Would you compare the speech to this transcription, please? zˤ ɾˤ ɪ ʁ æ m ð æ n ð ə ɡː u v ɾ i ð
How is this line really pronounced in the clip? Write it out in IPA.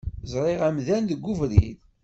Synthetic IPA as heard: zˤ ɾˤ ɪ ʁ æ m ð æ n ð ə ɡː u v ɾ i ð

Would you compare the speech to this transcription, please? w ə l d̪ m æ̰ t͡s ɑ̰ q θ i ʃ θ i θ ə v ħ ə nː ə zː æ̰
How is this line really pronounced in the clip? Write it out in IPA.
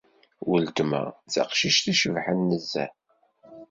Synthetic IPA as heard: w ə l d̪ m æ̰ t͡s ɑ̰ q ʃ i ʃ θ i ʃ ə v ħ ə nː ə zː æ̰

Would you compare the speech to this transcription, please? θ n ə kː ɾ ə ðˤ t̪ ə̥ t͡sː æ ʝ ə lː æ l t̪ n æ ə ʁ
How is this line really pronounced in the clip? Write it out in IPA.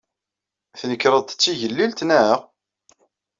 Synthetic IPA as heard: θ n ə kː ɾ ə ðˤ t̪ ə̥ t͡sː i ʝ ə lː i l t̪ n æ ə ʁ

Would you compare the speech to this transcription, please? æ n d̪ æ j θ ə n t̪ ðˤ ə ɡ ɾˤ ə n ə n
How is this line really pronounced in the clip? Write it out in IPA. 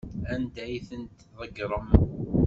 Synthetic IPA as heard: æ n d̪ æ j θ ə n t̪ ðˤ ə ɡ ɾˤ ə m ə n

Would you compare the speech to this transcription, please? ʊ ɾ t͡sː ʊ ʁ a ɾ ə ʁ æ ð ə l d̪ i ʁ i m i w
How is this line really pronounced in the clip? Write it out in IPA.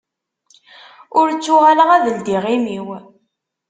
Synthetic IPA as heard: ʊ ɾ t͡sː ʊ ʁ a l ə ʁ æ ð ə l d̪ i ʁ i m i w

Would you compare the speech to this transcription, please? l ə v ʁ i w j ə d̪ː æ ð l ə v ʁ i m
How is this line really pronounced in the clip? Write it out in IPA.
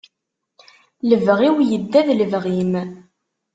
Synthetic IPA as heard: l ə v ʁ i w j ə d̪ː æ ð l ə v ʁ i m

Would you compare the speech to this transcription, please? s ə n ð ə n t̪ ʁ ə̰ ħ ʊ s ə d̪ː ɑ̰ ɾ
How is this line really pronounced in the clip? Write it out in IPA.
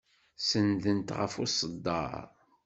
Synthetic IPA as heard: s ə n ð ə n t̪ ʁ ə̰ f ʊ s ə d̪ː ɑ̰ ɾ

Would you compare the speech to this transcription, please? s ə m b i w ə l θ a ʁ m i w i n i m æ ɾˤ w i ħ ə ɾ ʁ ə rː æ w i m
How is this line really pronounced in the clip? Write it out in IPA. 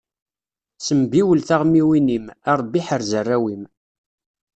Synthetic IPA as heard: s ə m b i w ə l θ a ʁ m i w i n i m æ ɾˤ b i ħ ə ɾ z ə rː æ w i m

